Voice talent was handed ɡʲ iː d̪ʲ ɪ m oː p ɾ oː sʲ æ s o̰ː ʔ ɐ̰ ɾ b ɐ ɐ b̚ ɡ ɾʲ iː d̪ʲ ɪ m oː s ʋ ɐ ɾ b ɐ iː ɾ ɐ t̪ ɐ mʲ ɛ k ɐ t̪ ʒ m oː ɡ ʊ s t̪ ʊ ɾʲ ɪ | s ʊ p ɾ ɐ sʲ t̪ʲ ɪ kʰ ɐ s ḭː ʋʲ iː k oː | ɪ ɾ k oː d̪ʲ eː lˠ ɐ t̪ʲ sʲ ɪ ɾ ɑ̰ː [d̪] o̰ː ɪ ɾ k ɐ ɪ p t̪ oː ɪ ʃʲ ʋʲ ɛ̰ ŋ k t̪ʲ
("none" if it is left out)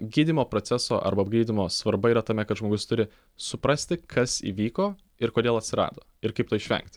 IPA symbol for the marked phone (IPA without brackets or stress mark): d̪